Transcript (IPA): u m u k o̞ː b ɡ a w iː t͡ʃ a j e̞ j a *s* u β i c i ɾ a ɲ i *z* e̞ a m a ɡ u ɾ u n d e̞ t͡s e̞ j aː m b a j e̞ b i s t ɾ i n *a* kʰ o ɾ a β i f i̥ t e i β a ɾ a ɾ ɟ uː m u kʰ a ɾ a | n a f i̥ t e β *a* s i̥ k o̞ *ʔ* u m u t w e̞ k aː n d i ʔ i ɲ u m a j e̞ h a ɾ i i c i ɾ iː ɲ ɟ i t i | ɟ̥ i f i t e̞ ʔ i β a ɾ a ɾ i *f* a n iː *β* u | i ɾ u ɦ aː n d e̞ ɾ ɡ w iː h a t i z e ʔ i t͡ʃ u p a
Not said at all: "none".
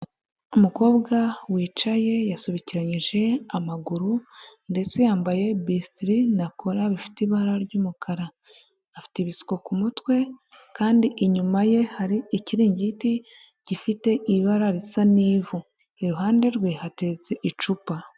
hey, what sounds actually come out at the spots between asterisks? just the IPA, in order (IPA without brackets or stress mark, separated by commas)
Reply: s, ʒ, a, i, k, s, v